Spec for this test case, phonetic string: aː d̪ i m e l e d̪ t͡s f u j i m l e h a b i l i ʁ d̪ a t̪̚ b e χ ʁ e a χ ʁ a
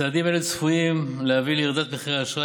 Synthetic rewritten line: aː d̪ i m e l e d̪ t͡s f u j i m l e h a v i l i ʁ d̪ a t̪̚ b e χ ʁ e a ʃ ʁ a